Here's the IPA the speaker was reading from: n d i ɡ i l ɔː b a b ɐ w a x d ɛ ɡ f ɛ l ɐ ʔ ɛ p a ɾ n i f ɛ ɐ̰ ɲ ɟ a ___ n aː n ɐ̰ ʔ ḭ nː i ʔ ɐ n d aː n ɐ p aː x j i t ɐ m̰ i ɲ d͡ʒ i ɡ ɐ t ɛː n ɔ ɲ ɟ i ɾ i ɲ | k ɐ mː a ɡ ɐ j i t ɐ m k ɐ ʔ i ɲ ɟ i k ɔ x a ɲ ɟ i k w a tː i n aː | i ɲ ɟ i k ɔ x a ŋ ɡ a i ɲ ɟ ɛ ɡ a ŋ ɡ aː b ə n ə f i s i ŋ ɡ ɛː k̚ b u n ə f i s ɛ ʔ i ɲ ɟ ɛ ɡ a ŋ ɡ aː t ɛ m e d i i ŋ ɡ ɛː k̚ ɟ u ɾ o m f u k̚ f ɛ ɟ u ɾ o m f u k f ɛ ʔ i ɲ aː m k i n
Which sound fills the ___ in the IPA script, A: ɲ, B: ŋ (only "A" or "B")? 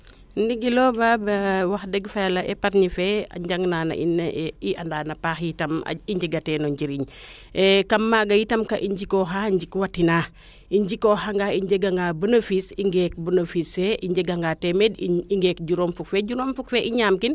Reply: B